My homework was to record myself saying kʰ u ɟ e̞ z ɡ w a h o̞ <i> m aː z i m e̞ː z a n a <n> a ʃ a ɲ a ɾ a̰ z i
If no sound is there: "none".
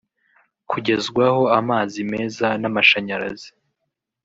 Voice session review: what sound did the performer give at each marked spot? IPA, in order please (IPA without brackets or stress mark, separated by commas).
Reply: a, m